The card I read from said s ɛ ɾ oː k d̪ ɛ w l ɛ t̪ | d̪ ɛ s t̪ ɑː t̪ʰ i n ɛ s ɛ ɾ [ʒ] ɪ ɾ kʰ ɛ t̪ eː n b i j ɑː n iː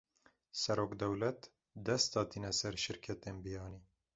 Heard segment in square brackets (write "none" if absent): ʃ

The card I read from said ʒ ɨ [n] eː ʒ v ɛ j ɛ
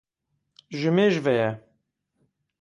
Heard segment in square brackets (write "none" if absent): m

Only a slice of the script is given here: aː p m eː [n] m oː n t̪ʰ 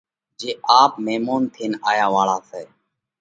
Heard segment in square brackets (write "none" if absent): none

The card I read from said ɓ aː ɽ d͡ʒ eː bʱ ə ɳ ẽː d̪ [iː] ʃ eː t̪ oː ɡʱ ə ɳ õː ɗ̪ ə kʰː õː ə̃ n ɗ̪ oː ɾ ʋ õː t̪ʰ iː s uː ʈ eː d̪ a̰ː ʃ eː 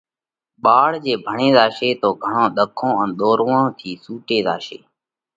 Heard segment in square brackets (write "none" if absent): aː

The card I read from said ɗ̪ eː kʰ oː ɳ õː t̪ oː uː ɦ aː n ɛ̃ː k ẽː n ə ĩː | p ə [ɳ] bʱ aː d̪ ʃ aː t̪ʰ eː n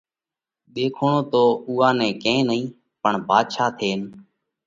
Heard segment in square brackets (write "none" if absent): ɳ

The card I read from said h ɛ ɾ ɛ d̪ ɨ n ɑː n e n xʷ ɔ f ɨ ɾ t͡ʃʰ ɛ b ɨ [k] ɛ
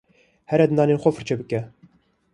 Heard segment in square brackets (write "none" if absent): k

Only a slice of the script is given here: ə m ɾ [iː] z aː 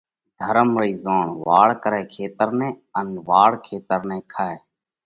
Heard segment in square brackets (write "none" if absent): iː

